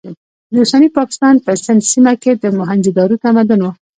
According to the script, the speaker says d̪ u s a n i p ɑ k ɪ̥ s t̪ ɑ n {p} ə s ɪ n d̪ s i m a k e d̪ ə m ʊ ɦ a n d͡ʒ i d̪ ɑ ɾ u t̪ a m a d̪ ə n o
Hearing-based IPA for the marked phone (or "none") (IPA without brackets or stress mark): p